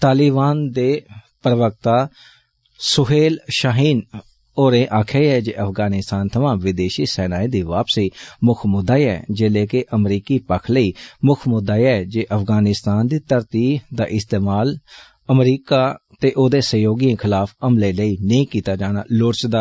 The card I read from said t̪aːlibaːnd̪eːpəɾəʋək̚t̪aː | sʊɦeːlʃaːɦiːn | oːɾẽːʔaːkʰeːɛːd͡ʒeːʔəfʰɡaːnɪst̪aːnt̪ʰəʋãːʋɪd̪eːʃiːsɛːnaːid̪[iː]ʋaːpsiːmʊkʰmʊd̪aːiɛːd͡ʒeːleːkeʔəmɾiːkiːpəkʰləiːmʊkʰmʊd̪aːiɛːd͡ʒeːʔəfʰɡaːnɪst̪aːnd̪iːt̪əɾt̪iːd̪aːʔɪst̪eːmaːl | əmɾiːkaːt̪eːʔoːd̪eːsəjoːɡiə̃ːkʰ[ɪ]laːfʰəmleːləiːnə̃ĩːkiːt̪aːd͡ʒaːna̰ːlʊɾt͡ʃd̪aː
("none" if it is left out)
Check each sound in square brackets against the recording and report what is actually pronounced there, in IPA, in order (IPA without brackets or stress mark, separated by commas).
iː, ɪ